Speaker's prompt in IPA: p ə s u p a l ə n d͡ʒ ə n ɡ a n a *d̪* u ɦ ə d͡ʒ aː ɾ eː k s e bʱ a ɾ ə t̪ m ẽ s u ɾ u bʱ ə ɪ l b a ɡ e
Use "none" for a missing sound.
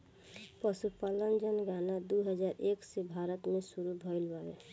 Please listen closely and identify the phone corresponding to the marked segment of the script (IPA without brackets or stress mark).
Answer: d̪